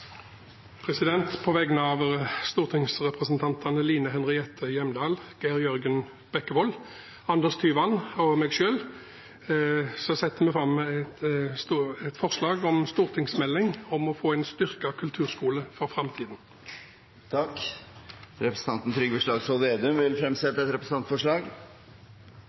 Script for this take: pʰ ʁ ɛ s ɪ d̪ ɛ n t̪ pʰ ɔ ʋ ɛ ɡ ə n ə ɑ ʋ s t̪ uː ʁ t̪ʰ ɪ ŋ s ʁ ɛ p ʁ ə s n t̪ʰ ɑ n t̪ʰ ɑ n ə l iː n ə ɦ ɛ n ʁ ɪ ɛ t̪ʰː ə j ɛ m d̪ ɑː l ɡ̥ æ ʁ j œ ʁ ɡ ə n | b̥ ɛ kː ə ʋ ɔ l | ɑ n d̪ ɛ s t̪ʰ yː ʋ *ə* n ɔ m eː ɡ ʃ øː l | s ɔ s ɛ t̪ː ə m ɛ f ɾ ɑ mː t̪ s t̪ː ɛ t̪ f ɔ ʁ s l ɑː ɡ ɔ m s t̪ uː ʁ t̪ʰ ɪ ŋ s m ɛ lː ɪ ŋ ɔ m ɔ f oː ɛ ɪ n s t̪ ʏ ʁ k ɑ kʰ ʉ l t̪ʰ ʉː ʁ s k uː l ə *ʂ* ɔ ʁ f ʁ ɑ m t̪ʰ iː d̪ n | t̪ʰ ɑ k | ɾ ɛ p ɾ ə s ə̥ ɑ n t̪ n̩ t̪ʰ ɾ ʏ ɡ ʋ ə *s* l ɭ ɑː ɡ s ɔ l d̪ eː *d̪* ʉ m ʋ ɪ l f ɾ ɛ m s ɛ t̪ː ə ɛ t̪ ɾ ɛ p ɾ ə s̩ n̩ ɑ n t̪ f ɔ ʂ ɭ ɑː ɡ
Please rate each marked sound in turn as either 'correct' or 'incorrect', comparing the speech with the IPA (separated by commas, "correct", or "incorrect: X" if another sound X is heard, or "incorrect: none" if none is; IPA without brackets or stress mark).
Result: incorrect: ɑ, incorrect: f, incorrect: ʂ, correct